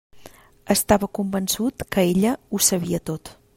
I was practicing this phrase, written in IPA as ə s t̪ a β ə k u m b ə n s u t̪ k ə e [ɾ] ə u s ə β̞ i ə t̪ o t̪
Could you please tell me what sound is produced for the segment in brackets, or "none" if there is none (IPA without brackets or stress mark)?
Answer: ʎ